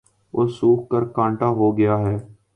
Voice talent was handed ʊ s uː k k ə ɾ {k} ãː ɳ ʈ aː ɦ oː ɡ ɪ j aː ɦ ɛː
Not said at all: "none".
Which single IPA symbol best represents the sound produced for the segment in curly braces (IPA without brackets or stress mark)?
k